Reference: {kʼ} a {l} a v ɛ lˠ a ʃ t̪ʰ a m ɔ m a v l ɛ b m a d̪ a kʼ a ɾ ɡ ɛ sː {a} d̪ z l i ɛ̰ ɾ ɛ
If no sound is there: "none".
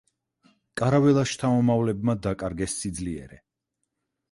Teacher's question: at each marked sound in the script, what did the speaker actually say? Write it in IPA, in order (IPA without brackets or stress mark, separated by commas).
kʼ, ɾ, i